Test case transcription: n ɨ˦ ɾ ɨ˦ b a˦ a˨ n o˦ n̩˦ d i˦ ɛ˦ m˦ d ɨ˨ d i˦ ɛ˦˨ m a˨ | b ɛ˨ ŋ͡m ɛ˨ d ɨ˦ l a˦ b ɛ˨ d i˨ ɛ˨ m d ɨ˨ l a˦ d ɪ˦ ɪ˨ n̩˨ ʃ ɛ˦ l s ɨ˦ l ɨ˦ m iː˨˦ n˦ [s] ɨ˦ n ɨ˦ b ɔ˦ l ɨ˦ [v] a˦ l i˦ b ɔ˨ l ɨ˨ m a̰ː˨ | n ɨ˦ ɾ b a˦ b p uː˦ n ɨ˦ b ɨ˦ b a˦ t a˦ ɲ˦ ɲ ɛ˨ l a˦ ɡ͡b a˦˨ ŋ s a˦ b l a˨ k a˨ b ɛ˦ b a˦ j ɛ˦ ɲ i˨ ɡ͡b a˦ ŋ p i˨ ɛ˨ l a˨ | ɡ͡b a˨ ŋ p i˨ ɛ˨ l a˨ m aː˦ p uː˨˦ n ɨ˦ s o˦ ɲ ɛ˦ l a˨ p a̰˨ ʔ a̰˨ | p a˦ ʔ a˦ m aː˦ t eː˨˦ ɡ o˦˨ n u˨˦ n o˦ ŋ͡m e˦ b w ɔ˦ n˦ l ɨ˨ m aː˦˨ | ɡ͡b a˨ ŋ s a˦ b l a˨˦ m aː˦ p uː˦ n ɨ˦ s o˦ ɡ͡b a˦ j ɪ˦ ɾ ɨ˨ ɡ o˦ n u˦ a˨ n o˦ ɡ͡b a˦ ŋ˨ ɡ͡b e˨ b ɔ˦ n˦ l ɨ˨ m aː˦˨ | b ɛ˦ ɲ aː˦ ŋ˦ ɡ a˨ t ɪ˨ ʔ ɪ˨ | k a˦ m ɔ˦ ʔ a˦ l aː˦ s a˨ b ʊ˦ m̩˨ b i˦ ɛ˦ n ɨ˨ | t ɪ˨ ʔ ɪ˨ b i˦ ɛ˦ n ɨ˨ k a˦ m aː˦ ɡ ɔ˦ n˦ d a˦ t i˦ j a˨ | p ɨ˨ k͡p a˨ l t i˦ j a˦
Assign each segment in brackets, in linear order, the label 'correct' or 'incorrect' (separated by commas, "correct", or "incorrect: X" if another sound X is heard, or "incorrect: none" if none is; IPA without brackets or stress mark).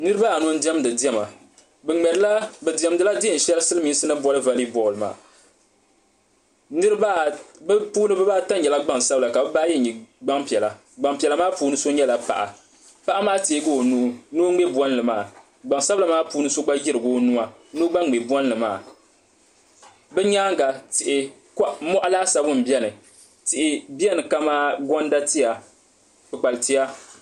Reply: correct, correct